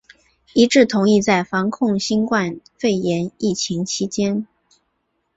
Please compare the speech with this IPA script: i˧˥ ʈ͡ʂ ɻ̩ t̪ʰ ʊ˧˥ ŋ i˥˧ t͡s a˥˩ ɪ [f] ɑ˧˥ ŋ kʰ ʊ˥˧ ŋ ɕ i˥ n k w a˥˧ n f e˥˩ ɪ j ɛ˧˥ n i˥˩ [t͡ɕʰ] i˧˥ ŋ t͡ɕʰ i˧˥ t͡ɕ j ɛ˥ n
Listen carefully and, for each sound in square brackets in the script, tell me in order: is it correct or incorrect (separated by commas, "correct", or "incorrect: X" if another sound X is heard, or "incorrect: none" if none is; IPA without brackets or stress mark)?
correct, correct